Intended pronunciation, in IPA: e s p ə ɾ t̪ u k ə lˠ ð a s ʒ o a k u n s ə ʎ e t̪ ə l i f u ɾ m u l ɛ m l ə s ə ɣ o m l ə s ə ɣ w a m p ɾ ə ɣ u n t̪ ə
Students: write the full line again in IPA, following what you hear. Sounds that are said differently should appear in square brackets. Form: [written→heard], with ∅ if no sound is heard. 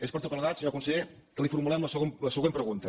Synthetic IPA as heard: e s p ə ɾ t̪ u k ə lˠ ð a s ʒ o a k u n s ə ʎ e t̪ ə l i f u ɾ m u l ɛ m l ə s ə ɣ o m l ə s ə ɣ w [a→e] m p ɾ ə ɣ u n t̪ ə